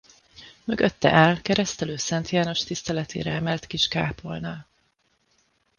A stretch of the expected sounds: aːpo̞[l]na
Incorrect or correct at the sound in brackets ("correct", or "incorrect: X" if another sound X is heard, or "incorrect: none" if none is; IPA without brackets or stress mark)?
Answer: correct